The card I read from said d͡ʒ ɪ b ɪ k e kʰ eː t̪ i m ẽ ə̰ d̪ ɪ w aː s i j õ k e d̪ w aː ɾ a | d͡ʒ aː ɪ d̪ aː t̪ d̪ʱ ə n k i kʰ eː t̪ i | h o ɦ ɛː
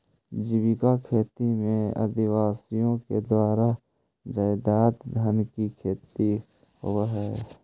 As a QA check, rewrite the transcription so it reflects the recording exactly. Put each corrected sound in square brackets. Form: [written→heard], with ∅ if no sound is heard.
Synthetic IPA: d͡ʒ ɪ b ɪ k [e→a] kʰ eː t̪ i m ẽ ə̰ d̪ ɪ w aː s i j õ k e d̪ w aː ɾ a | d͡ʒ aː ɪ d̪ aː t̪ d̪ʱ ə n k i kʰ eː t̪ i | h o ɦ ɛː